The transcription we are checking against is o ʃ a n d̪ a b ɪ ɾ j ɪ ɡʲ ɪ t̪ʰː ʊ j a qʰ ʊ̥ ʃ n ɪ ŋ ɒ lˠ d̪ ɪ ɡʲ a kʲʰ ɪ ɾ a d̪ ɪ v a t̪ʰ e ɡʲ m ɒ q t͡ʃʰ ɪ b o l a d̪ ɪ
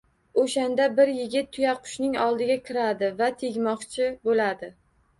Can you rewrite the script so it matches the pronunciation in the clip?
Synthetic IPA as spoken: o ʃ a n d̪ a b ɪ ɾ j ɪ ɡʲ ɪ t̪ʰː ʊ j a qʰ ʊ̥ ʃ n ɪ ŋ ɒ lˠ d̪ ɪ ɡʲ a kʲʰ ɪ ɾ a d̪ ɪ v a t̪ʰ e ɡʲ m ɒ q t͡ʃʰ ɪ b o l a d̪ ɪ